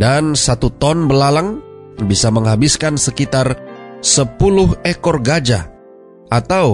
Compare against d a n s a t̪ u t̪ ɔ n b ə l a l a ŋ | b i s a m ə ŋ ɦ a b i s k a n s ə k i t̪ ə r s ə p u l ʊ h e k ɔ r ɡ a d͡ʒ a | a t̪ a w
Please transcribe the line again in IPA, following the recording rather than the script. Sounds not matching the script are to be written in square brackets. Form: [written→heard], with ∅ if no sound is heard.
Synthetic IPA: d a n s a t̪ u t̪ ɔ n b ə l a l a ŋ | b i s a m ə ŋ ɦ a b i s k a n s ə k i t̪ [ə→a] r s ə p u l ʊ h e k ɔ r ɡ a d͡ʒ a | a t̪ a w